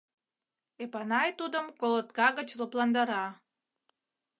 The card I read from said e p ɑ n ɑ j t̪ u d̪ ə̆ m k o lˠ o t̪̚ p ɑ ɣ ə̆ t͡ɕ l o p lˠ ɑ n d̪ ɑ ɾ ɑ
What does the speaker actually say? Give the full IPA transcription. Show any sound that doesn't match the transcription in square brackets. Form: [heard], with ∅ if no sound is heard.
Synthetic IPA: e p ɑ n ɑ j t̪ u d̪ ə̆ m k o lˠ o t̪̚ [k] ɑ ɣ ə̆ t͡ɕ l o p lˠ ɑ n d̪ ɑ ɾ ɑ

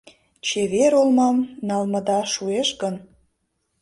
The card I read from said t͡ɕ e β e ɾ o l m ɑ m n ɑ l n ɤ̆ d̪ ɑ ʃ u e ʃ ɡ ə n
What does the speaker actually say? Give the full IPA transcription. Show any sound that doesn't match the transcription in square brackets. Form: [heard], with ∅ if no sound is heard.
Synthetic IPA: t͡ɕ e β e ɾ o l m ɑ m n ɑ l [m] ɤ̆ d̪ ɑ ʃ u e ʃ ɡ ə n

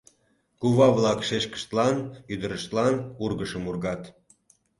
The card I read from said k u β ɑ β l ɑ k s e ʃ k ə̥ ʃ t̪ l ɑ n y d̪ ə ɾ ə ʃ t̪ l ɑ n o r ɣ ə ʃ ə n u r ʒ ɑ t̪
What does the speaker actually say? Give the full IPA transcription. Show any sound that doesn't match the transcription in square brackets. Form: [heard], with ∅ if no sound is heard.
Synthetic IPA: k u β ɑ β l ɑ k [ʃ] e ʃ k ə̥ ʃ t̪ l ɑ n y d̪ ə ɾ ə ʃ t̪ l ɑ n [u] r ɣ ə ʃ ə [m] u r [ɣ] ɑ t̪

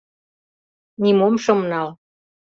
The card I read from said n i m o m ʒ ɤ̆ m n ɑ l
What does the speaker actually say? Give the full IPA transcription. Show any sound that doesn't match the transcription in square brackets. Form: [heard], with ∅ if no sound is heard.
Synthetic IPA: n i m o m [ʃ] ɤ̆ m n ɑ l

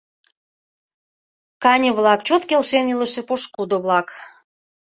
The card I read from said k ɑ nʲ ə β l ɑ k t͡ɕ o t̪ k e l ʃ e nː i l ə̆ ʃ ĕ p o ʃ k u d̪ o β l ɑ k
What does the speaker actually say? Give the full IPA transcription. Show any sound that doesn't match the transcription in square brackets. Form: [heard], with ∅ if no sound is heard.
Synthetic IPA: k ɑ nʲ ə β l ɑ k t͡ɕ o t̪ k e l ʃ e [n] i l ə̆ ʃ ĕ p o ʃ k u d̪ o β l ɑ k

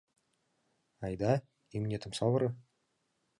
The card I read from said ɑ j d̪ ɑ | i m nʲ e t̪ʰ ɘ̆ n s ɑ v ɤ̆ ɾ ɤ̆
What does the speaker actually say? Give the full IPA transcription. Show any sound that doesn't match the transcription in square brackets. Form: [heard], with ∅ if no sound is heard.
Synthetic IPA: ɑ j d̪ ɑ | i m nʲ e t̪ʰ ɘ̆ [m] s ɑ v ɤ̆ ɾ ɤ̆

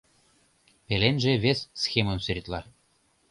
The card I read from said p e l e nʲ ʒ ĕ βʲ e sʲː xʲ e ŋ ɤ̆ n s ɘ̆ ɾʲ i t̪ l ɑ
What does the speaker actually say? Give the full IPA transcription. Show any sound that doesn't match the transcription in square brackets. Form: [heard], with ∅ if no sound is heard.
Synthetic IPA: p e l e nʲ ʒ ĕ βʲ e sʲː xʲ e [m] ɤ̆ n s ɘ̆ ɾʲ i t̪ l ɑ

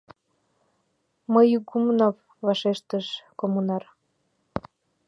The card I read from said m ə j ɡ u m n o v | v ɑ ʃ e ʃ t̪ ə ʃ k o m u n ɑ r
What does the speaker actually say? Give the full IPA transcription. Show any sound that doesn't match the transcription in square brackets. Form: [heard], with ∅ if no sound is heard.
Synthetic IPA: m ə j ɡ u m n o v | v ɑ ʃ e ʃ t̪ ə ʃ k o m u n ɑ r

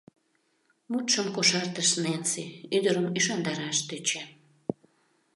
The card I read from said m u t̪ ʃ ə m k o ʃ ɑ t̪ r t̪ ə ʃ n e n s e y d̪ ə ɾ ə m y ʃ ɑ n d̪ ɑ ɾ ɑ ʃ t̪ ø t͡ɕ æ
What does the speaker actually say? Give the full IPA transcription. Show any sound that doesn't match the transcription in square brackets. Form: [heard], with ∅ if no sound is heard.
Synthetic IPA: m u t̪ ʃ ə m k o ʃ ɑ [∅] r t̪ ə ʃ n e n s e y d̪ ə ɾ ə m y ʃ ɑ n d̪ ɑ ɾ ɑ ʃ t̪ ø t͡ɕ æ

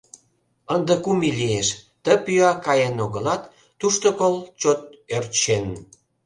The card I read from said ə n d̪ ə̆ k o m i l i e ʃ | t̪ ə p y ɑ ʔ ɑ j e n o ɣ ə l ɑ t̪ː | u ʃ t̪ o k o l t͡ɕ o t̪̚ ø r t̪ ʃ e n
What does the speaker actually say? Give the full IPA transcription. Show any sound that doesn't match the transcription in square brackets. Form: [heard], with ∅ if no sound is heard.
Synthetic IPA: ə n d̪ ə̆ k [u] m i l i e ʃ | t̪ ə p y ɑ [k] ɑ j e n o ɣ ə l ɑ t̪ː | u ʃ t̪ o k o l t͡ɕ o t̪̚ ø r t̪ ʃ e n

